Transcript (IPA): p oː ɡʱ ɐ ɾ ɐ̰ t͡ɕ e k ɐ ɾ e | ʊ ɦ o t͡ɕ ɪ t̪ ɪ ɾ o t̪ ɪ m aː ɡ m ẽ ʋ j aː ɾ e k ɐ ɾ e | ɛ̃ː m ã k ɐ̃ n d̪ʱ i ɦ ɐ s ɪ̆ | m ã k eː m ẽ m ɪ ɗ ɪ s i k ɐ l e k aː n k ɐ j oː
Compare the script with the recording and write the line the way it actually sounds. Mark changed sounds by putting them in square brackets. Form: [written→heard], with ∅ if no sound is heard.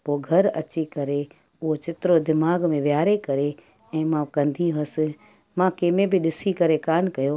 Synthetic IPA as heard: p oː ɡʱ ɐ ɾ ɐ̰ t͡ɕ [e→i] k ɐ ɾ e | ʊ ɦ o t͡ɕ ɪ t̪ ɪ ɾ o [t̪→d̪] ɪ m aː ɡ m ẽ ʋ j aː ɾ e k ɐ ɾ e | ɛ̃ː m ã k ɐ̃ n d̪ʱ i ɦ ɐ s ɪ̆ | m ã k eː m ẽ [m→b] ɪ ɗ ɪ s i k ɐ [l→ɾ] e k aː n k ɐ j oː

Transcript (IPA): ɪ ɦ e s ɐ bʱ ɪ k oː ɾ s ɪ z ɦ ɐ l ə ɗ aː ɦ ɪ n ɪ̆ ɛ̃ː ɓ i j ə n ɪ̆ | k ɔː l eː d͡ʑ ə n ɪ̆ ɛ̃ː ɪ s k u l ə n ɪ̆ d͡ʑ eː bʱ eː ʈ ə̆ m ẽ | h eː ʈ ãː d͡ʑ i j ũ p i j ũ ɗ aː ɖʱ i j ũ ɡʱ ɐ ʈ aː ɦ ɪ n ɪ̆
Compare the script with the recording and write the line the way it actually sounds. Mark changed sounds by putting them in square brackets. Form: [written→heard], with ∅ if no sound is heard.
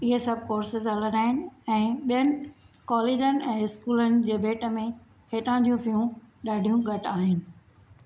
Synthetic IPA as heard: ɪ ɦ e s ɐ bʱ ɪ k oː ɾ s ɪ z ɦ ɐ l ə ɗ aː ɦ ɪ n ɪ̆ ɛ̃ː ɓ i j ə n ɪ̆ | k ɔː l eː d͡ʑ ə n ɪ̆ ɛ̃ː ɪ s k [u→uː] l ə n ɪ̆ d͡ʑ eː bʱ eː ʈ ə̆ m ẽ | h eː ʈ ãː d͡ʑ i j ũ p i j ũ ɗ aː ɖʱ i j ũ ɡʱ ɐ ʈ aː ɦ ɪ n ɪ̆

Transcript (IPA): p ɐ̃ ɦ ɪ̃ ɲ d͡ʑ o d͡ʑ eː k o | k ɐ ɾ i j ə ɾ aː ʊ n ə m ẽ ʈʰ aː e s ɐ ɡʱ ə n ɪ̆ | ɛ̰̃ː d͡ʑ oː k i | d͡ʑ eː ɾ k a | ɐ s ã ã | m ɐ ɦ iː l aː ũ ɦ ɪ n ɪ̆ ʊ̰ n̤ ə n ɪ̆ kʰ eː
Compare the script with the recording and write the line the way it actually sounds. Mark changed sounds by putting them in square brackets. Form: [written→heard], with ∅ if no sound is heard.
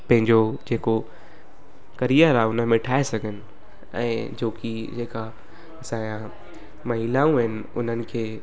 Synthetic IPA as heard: p ɐ̃ ɦ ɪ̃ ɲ d͡ʑ o d͡ʑ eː k o | k ɐ ɾ i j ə ɾ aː ʊ n ə m ẽ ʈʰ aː e s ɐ ɡʱ ə n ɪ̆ | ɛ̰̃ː d͡ʑ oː k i | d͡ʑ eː [ɾ→∅] k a | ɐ s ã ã | m ɐ ɦ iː l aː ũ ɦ ɪ n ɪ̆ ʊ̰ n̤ ə n ɪ̆ kʰ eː

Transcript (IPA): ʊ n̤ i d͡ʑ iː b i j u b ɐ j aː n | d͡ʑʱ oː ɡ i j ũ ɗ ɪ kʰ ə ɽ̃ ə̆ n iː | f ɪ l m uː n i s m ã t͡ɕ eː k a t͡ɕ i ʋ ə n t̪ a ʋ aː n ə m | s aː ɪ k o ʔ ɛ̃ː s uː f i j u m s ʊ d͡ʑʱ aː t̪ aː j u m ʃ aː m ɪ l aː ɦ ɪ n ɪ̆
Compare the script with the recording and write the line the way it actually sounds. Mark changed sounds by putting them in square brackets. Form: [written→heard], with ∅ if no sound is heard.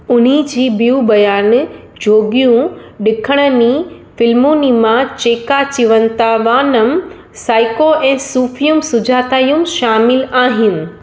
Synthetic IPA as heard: ʊ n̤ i d͡ʑ iː b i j u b ɐ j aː n | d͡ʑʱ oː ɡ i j ũ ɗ ɪ kʰ ə ɽ̃ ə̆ n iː | f ɪ l m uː n i [s→∅] m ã t͡ɕ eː k a t͡ɕ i ʋ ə n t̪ a ʋ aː n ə m | s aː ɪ k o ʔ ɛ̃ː s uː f i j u m s ʊ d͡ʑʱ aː t̪ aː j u m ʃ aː m ɪ l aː ɦ ɪ n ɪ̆

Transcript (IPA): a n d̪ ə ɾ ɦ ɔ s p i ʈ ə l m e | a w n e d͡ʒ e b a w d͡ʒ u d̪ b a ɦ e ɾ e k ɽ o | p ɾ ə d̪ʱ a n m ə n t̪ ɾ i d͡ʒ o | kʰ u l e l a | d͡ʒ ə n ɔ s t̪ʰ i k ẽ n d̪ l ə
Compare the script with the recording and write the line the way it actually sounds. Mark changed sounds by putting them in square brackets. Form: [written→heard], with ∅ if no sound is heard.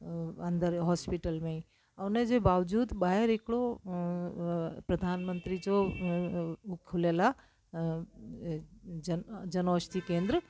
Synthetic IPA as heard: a n d̪ ə ɾ ɦ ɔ s p i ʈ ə l m e | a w n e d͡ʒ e b a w d͡ʒ u d̪ b a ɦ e ɾ e k ɽ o | p ɾ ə d̪ʱ a n m ə n t̪ ɾ i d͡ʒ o | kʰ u l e l a | d͡ʒ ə n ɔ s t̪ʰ i k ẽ n d̪ [l→ɾ] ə

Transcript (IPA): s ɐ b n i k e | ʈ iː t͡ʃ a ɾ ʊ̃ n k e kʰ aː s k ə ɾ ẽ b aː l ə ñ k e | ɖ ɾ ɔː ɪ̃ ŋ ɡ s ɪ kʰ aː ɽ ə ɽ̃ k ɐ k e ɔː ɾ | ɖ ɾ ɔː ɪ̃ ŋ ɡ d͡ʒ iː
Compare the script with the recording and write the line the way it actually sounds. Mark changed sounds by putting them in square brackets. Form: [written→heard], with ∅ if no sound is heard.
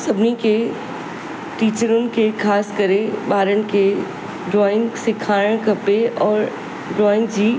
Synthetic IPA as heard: s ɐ b n i k e | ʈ iː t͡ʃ [a→ə] ɾ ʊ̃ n k e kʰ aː s k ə ɾ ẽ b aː [l→ɾ] ə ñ k e | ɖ ɾ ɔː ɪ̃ ŋ ɡ s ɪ kʰ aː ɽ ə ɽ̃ k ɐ [k→p] e ɔː ɾ | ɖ ɾ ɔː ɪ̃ ŋ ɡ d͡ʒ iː

